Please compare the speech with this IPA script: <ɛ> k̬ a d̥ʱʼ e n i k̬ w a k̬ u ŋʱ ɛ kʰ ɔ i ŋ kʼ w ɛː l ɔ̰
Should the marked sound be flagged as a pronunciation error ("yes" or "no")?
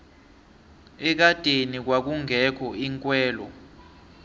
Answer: no